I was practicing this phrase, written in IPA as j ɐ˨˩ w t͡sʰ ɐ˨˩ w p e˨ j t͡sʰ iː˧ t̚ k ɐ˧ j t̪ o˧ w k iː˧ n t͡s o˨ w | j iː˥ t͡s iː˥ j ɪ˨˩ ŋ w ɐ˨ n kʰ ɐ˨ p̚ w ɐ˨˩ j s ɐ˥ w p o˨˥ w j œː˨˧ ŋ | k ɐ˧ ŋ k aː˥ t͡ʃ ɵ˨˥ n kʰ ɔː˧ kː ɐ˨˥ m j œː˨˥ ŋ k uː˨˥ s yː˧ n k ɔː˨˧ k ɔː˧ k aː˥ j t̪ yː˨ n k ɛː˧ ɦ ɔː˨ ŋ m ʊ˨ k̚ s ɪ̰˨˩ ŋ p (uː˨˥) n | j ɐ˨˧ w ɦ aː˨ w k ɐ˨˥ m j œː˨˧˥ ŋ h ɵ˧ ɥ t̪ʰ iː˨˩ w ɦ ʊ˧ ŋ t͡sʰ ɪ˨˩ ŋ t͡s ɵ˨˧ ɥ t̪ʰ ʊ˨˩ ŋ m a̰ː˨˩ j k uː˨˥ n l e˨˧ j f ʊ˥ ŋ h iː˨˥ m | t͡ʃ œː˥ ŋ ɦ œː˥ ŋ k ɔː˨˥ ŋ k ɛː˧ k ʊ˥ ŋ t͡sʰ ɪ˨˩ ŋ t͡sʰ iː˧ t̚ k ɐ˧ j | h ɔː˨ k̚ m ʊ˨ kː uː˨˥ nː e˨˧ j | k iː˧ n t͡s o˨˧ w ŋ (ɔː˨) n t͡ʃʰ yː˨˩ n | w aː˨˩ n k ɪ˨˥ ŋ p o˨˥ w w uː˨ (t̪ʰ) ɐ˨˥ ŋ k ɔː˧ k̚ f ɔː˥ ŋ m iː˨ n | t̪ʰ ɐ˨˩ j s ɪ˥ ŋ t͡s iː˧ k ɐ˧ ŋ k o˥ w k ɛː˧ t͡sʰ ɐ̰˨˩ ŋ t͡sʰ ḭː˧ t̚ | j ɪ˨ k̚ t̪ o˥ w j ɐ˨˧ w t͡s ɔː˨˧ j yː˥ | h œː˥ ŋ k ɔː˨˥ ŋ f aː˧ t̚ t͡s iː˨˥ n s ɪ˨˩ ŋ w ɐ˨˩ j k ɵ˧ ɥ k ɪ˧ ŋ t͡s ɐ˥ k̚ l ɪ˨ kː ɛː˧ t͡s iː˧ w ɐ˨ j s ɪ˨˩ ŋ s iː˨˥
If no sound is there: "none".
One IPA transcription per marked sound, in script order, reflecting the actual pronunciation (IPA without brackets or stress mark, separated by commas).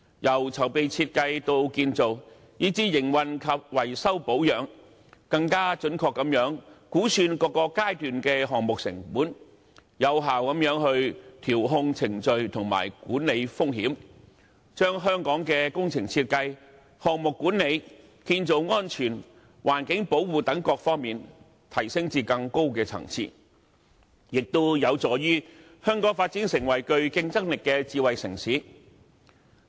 uː˨˥, ɔː˥, t̪